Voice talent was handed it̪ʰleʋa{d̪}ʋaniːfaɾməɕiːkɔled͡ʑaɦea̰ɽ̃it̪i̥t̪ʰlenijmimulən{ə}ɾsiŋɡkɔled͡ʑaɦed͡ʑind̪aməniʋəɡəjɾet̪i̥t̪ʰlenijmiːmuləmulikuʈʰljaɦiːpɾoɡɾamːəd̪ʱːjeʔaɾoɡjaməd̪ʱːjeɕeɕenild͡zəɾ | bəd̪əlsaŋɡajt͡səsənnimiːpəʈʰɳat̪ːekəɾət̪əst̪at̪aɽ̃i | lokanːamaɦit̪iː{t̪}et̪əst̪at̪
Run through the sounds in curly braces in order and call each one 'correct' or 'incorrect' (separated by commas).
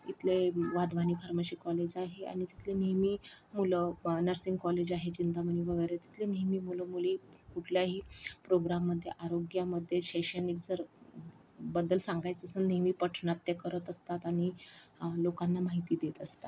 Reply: correct, correct, incorrect